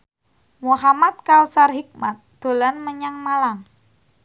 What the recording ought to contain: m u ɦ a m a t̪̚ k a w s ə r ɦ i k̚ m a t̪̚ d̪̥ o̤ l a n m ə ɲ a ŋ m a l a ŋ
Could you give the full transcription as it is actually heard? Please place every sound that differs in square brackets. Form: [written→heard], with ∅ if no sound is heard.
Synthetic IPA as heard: m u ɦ a m a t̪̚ k a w s [ə→a] r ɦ i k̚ m a t̪̚ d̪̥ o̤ l a n m ə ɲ a ŋ m a l a ŋ